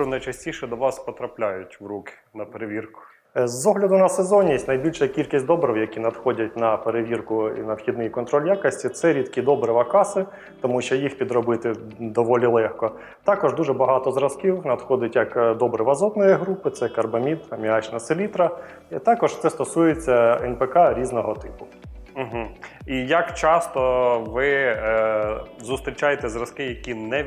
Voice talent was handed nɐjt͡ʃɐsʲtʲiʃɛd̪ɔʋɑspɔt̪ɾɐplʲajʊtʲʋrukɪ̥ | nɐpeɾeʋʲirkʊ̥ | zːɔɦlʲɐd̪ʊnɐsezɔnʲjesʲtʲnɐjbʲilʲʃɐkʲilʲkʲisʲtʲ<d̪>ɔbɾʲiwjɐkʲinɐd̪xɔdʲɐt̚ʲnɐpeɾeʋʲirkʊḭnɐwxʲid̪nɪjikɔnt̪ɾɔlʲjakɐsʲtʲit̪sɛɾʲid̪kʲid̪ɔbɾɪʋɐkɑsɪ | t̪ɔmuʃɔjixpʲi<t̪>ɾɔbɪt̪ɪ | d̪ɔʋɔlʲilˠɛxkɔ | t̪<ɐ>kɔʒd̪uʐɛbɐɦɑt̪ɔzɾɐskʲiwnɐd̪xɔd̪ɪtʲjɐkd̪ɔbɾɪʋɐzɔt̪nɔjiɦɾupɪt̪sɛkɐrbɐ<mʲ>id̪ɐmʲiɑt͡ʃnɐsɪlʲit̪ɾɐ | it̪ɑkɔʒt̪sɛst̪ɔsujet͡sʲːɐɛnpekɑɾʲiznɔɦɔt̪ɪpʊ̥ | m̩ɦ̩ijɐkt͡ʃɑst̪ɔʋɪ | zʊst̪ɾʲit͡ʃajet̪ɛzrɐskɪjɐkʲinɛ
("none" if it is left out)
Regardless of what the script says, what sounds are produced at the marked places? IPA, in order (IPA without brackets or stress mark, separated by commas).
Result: d̪, d̪, ɑ, mʲ